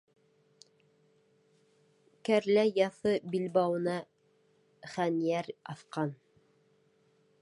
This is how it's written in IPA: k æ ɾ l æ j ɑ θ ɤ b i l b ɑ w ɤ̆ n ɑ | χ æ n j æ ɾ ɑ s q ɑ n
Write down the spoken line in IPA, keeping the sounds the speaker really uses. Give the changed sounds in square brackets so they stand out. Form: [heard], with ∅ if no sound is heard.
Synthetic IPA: k æ ɾ l æ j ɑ θ ɤ b i l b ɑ w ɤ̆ n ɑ | χ æ n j æ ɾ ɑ [θ] q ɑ n